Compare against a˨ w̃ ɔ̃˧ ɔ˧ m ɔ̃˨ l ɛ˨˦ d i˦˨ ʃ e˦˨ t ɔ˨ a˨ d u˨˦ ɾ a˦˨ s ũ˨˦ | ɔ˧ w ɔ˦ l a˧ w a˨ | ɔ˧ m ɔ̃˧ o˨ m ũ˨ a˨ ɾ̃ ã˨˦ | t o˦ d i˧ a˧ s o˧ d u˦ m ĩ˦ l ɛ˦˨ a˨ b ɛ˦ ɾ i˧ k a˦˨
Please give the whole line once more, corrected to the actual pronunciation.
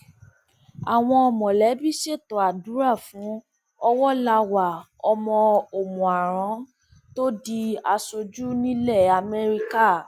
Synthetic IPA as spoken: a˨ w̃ ɔ̃˧ ɔ˧ m ɔ̃˨ l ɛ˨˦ b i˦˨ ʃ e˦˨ t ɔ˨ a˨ d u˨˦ ɾ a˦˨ f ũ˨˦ | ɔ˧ w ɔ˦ l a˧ w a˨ | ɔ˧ m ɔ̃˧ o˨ m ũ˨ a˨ ɾ̃ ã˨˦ | t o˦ d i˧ a˧ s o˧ d͡ʒ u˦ n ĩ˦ l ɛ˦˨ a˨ m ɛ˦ ɾ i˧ k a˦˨

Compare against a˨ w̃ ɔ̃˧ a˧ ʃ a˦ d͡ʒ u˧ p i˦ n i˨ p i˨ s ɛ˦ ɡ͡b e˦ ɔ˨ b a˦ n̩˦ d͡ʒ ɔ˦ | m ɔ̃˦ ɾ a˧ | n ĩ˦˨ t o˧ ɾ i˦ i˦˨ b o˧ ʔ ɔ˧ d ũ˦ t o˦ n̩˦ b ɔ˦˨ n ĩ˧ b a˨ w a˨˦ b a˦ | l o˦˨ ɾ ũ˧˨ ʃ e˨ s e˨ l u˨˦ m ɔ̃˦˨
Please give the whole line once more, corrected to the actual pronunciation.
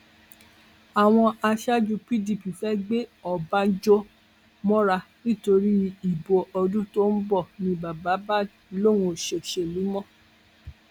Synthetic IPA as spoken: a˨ w̃ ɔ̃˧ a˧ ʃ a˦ d͡ʒ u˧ p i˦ d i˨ p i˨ f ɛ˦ ɡ͡b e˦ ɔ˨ b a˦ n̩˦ d͡ʒ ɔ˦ | m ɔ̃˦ ɾ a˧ | n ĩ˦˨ t o˧ ɾ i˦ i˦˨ b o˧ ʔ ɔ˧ d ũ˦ t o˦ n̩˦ b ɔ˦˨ n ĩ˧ b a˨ b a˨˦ b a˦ | l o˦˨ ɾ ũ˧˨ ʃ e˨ ʃ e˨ l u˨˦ m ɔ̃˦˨

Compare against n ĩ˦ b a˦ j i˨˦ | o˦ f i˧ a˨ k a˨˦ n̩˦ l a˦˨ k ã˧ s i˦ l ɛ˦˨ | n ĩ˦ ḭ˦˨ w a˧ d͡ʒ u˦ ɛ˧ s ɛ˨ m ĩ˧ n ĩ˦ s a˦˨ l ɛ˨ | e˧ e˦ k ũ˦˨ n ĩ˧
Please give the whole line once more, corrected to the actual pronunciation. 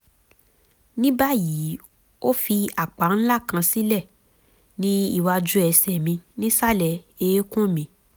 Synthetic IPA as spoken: n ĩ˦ b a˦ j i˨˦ | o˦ f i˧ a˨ k͡p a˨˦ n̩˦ l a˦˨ k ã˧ s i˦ l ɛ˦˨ | n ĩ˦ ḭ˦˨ w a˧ d͡ʒ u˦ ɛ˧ s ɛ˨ m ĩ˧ n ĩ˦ s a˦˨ l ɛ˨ | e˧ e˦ k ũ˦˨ m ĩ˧

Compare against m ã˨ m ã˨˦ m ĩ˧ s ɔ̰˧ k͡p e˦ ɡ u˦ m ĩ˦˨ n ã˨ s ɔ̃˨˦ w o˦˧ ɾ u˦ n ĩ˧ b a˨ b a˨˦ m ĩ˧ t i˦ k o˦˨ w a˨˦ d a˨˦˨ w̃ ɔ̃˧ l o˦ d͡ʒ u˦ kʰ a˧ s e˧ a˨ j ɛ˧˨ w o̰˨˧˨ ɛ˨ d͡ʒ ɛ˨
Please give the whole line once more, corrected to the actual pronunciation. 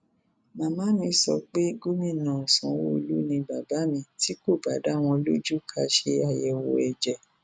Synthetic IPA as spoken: m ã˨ m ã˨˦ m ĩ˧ s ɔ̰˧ k͡p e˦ ɡ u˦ m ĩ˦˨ n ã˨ s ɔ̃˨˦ w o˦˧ l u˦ n ĩ˧ b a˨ b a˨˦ m ĩ˧ t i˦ k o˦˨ b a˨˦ d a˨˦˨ w̃ ɔ̃˧ l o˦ d͡ʒ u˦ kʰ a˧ ʃ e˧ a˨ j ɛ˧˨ w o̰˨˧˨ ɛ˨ d͡ʒ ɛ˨

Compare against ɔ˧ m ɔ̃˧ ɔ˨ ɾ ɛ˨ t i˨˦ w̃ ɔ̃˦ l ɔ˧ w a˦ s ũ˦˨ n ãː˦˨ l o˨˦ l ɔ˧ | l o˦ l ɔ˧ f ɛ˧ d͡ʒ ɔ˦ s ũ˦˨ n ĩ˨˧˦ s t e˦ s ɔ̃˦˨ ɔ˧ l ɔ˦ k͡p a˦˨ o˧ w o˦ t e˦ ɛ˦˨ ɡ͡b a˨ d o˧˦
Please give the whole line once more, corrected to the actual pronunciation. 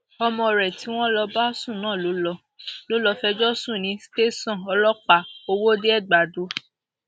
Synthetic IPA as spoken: ɔ˧ m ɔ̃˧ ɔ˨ ɾ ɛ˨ t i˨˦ w̃ ɔ̃˦ l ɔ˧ b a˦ s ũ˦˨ n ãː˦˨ l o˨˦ l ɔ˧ | l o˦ l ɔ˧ f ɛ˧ d͡ʒ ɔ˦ s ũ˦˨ n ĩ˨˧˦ s t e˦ s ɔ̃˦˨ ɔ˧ l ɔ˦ k͡p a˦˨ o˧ w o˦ d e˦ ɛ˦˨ ɡ͡b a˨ d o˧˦

